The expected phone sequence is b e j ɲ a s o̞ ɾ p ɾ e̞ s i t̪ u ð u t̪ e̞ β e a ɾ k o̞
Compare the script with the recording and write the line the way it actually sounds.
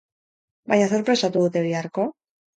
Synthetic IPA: b a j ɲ a s o̞ ɾ p ɾ e̞ s a t̪ u ð u t̪ e̞ β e a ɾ k o̞